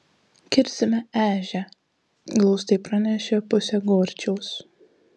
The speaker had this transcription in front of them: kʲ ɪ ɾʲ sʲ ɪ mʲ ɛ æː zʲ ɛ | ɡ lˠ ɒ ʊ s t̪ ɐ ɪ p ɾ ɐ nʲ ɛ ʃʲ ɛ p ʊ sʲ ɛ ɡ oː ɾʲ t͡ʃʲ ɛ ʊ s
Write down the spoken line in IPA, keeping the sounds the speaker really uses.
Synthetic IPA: kʲ ɪ ɾʲ sʲ ɪ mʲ ɛ æː ʒʲ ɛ | ɡ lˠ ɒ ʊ s t̪ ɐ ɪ p ɾ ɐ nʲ ɛ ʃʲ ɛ p ʊ sʲ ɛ ɡ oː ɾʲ t͡ʃʲ ɛ ʊ s